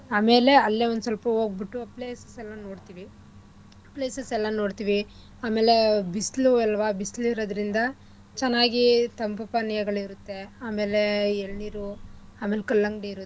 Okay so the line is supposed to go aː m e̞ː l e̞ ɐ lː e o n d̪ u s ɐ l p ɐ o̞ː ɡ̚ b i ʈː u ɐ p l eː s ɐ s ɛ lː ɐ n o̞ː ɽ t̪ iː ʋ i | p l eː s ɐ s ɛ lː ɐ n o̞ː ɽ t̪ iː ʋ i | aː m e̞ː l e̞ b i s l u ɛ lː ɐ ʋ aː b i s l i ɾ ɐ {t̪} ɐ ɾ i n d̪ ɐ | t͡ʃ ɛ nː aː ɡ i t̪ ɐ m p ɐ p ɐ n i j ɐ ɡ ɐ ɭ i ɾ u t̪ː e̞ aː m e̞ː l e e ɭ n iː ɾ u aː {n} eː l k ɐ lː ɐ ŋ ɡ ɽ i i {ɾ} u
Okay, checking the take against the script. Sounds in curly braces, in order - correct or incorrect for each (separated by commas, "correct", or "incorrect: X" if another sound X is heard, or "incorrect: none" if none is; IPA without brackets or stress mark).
incorrect: d̪, incorrect: m, correct